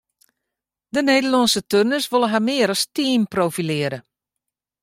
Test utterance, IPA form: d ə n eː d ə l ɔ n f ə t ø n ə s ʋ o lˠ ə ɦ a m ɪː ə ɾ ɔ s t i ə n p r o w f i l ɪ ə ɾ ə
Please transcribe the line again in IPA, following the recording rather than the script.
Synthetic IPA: d ə n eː d ə l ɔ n s ə t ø n ə s ʋ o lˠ ə ɦ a m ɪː ə ɾ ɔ s t i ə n p r o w f i l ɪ ə ɾ ə